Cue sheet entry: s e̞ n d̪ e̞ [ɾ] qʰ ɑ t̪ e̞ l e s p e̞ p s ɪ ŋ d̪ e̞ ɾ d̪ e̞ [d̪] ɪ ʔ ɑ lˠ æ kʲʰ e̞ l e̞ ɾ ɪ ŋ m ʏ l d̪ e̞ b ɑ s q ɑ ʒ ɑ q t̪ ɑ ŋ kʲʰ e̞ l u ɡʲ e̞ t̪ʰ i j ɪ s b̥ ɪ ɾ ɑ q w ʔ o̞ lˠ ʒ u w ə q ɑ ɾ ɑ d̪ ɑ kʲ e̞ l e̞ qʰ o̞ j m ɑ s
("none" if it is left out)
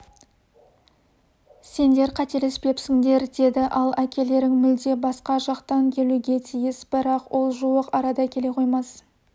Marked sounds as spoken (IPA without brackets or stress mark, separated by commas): ɾ, d̪